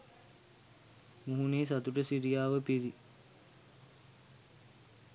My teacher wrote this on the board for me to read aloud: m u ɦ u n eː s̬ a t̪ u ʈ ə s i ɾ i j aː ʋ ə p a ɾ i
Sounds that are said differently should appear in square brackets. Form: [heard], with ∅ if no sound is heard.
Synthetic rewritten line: m u ɦ u n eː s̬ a t̪ u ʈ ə s i ɾ i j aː ʋ ə p [i] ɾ i